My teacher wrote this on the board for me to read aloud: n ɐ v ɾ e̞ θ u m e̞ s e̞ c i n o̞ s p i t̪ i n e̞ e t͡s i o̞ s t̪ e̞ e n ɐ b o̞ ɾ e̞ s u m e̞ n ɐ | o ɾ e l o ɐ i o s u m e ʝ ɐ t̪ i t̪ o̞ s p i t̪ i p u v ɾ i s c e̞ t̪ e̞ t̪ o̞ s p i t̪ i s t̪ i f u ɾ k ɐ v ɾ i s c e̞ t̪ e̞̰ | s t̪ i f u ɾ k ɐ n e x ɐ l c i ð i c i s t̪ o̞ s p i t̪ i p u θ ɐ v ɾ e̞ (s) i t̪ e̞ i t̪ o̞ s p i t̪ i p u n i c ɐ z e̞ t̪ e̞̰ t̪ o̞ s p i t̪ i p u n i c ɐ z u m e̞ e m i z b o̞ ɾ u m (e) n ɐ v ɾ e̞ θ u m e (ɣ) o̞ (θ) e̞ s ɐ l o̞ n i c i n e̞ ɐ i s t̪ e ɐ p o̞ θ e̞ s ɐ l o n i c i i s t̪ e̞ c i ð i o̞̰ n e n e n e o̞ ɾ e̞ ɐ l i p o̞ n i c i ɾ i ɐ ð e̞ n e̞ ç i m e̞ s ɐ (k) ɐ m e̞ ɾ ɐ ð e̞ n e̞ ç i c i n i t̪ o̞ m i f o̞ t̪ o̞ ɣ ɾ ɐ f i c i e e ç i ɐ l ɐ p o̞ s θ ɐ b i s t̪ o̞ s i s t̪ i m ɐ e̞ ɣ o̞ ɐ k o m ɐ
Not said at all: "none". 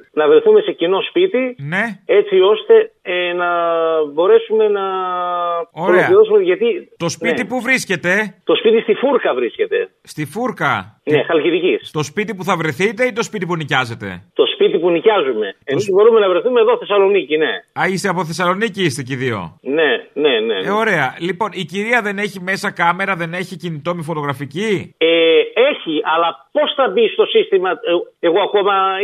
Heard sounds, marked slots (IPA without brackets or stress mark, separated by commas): θ, e, ð, θ, k